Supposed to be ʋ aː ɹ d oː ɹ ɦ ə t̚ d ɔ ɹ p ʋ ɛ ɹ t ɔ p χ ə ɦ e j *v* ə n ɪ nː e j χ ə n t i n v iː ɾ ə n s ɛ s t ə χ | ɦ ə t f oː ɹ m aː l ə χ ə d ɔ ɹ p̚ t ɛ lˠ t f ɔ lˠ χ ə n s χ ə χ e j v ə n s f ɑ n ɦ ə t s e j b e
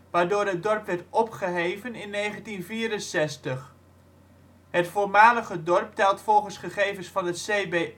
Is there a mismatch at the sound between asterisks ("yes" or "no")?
no